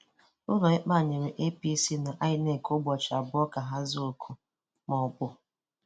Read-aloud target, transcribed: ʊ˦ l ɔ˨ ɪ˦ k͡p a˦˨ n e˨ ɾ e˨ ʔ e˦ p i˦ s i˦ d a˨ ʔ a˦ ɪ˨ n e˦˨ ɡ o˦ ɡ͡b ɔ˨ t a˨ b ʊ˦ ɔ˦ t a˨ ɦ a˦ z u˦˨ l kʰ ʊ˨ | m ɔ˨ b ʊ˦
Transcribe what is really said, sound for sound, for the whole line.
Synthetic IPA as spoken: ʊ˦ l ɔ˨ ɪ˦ k͡p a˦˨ ɲ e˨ ɾ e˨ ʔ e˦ p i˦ s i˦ n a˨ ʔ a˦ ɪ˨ n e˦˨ k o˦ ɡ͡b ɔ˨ t͡ʃ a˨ b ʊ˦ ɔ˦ k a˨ ɦ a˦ z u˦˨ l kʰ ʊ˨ | m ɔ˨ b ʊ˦

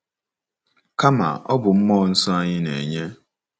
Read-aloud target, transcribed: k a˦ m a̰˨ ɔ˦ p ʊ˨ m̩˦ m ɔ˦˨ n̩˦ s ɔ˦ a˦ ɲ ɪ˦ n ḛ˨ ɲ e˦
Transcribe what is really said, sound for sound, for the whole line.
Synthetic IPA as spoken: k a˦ m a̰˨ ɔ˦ b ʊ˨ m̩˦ m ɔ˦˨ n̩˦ s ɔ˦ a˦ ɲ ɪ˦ n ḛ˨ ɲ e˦

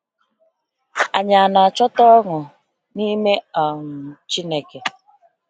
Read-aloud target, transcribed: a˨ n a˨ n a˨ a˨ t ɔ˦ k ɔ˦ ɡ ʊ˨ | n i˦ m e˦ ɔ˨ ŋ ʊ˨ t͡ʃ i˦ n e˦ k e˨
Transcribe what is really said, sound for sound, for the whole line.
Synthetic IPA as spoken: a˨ ɲ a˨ n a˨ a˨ t͡ʃ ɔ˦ t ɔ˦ ŋ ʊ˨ | n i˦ m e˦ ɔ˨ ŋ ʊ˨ t͡ʃ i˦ n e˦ k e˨

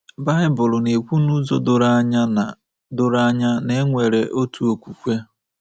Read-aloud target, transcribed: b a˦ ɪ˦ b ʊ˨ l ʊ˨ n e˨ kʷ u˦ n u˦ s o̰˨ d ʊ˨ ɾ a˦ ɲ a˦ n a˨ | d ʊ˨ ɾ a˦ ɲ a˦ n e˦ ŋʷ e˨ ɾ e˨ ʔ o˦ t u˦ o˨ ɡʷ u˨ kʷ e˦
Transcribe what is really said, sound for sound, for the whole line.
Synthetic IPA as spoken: b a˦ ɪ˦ b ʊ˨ l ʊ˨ n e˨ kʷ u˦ n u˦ z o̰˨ d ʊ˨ ɾ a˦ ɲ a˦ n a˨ | d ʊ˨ ɾ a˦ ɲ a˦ n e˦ ŋʷ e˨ ɾ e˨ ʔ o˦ t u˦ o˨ kʷ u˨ kʷ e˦

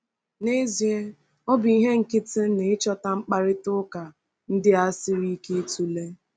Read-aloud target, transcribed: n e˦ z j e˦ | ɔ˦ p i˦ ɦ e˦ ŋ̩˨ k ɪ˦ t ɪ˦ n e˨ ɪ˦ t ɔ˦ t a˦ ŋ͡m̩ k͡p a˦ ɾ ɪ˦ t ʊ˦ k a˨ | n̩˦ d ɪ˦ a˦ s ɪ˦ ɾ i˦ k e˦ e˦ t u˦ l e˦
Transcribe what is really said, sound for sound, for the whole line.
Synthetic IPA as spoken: n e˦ z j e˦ | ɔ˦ b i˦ ɦ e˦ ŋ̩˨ k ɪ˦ t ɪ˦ n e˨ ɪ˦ t͡ʃ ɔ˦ t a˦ ŋ͡m̩ k͡p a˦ ɾ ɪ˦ t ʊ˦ k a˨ | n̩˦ d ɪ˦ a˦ s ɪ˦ ɾ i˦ k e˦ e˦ t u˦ l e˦

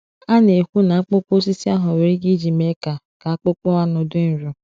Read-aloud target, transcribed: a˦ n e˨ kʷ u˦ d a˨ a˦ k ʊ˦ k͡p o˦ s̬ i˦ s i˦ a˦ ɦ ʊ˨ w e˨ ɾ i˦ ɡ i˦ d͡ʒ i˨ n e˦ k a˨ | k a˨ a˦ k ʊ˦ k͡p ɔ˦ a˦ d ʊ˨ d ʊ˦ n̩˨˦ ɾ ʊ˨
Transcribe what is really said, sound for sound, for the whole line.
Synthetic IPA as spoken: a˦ n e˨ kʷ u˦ n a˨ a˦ k͡p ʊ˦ k͡p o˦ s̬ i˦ s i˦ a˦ ɦ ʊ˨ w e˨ ɾ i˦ ɡ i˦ d͡ʒ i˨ m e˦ k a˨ | k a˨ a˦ k͡p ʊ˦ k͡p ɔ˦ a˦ n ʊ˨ d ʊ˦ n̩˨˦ ɾ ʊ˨

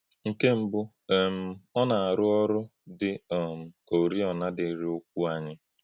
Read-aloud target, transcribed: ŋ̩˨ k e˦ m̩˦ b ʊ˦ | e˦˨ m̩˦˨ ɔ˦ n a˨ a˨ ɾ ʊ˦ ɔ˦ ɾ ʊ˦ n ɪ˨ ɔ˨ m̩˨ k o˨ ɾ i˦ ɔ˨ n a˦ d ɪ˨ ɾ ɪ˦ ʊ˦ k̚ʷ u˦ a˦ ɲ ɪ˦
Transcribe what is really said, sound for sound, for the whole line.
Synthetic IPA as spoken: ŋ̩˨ k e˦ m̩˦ b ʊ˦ | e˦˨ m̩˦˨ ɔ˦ n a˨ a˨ ɾ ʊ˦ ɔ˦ ɾ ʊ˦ d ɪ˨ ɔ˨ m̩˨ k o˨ ɾ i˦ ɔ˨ n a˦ d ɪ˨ ɾ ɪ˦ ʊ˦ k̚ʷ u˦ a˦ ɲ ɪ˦

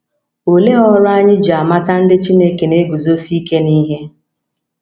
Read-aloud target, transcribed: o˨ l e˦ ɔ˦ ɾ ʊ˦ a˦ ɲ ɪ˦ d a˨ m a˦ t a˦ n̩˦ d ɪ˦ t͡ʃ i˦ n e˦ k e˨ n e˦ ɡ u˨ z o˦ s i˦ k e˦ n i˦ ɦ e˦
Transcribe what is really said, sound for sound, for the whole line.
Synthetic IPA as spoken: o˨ l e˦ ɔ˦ ɾ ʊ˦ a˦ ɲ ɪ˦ d͡ʒ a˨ m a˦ t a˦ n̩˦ d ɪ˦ t͡ʃ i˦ n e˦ k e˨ n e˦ ɡ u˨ z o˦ s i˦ k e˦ n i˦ ɦ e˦

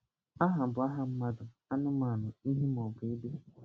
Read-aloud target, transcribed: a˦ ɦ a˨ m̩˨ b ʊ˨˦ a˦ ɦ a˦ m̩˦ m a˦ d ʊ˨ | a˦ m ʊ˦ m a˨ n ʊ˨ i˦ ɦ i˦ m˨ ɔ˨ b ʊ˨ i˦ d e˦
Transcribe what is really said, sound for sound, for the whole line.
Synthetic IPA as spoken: a˦ ɦ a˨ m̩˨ b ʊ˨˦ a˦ ɦ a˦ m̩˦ m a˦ d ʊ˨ | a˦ n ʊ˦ m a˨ n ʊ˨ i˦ ɦ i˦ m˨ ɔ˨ b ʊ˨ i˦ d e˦

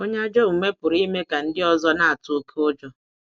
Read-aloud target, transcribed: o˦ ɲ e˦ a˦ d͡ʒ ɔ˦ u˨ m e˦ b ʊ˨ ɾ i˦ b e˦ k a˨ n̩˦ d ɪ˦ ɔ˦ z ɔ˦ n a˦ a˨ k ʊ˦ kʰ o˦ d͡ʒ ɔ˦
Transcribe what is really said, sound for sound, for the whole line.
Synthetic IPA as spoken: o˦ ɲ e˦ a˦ d͡ʒ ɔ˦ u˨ m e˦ p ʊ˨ ɾ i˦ m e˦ k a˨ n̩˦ d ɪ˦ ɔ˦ z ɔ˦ n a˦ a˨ t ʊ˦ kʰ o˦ d͡ʒ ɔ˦

